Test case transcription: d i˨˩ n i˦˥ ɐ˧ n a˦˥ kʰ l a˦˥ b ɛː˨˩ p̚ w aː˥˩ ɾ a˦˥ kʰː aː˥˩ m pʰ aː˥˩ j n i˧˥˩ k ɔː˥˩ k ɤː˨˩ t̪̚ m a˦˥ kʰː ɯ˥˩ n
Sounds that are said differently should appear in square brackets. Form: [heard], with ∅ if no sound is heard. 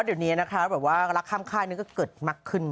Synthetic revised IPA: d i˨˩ n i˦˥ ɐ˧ n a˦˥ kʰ [ɾ] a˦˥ b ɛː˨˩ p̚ w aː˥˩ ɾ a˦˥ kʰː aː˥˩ m [kʰ] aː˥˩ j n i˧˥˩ k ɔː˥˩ k ɤː˨˩ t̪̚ m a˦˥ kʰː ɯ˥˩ n

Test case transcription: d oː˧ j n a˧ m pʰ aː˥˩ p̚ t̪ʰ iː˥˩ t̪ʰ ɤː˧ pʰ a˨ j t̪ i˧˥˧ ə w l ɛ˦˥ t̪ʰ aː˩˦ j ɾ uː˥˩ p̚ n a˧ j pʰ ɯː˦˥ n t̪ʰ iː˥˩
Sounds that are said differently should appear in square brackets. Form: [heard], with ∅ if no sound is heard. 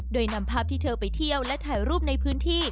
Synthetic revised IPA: d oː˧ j n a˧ m pʰ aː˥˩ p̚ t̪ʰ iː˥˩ t̪ʰ ɤː˧ [p] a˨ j [t̪ʰ] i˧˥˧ ə w l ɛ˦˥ t̪ʰ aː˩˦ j ɾ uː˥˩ p̚ n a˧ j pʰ ɯː˦˥ n t̪ʰ iː˥˩

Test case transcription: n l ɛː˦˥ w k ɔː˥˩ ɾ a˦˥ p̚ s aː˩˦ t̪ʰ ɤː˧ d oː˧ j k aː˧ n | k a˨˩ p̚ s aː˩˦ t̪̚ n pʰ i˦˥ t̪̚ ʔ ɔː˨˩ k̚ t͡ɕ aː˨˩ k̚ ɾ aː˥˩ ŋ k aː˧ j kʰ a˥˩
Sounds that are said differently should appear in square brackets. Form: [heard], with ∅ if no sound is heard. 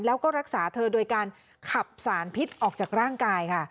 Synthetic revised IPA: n l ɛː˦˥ w k ɔː˥˩ ɾ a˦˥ [k̚] s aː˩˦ t̪ʰ ɤː˧ d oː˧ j k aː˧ n | [kʰ] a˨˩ p̚ s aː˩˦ [∅] n pʰ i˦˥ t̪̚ ʔ ɔː˨˩ k̚ t͡ɕ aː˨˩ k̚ ɾ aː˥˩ ŋ k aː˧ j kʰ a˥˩

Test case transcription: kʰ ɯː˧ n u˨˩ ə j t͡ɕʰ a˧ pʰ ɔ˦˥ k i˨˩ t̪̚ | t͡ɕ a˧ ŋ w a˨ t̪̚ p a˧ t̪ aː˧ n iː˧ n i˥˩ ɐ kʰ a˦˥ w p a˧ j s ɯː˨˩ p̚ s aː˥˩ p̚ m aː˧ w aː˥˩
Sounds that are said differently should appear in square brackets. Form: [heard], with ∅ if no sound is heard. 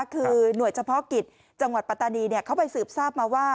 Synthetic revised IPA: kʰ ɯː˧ n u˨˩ ə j t͡ɕʰ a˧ pʰ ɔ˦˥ k i˨˩ t̪̚ | t͡ɕ a˧ ŋ w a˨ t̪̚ p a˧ t̪ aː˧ n iː˧ n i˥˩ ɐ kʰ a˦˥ w p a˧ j s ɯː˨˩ p̚ s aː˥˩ p̚ m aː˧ w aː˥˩

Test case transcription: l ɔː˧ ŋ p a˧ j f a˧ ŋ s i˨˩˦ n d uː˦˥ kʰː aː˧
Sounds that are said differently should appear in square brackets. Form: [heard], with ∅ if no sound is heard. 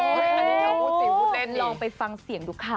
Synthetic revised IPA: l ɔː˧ ŋ p a˧ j f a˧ ŋ s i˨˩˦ [ŋ] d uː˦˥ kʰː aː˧

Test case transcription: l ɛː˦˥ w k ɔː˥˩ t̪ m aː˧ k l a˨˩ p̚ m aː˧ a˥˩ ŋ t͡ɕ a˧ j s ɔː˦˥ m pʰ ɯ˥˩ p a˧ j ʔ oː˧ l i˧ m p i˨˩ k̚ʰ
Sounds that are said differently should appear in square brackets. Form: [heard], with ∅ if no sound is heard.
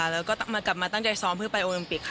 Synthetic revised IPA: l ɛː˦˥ w k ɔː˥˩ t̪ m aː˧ k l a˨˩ p̚ m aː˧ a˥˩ ŋ t͡ɕ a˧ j s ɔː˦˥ m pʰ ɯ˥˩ p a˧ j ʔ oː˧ l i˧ m p i˨˩ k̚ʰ

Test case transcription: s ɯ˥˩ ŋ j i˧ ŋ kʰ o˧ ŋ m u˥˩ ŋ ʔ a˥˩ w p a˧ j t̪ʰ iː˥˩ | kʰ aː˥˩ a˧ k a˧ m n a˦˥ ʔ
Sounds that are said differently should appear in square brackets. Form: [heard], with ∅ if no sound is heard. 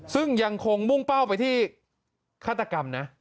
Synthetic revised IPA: s ɯ˥˩ ŋ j [a˧] ŋ kʰ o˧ ŋ m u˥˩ ŋ [p] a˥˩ w p a˧ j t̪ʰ iː˥˩ | kʰ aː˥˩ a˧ k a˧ m n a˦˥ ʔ

